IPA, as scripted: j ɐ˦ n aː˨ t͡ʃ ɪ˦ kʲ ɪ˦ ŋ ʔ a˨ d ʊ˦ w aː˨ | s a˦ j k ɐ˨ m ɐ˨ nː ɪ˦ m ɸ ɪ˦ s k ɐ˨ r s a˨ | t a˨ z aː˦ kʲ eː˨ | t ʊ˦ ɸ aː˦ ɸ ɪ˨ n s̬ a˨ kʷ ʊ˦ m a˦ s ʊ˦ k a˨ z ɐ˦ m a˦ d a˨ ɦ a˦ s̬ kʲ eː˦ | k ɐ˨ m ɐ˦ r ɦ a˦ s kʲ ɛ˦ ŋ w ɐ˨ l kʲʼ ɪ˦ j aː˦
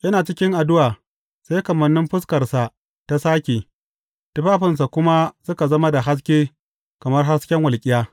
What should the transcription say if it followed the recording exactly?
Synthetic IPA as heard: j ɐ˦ n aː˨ t͡ʃ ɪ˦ kʲ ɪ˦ ŋ ʔ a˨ d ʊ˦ w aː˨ | s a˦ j k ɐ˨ m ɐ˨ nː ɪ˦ m ɸ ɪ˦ s k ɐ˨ r s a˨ | t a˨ s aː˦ kʲ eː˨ | t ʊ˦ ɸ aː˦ ɸ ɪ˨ n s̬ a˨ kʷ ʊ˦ m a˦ s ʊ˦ k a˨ z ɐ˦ m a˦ d a˨ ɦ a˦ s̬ kʲ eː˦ | k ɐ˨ m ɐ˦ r ɦ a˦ s kʲ ɛ˦ ŋ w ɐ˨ l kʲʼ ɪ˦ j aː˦